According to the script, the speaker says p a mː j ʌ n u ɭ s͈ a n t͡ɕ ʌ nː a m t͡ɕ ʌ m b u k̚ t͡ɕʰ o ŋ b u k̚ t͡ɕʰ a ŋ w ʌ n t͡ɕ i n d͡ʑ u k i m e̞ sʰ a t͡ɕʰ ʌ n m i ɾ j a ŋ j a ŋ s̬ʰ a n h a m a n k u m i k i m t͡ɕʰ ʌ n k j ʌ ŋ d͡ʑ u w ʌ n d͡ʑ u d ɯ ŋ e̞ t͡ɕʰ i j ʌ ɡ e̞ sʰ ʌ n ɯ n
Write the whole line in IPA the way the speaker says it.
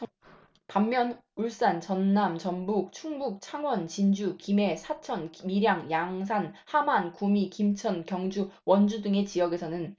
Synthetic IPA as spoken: p a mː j ʌ n u ɭ s͈ a n t͡ɕ ʌ nː a m t͡ɕ ʌ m b u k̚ t͡ɕʰ u ŋ b u k̚ t͡ɕʰ a ŋ w ʌ n t͡ɕ i n d͡ʑ u k i m e̞ sʰ a t͡ɕʰ ʌ n m i ɾ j a ŋ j a ŋ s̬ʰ a n h a m a n k u m i k i m t͡ɕʰ ʌ n k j ʌ ŋ d͡ʑ u w ʌ n d͡ʑ u d ɯ ŋ e̞ t͡ɕ i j ʌ ɡ e̞ sʰ ʌ n ɯ n